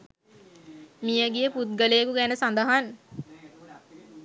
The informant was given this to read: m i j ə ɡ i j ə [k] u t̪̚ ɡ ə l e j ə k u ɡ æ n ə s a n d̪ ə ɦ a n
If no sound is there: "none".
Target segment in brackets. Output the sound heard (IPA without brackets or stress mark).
p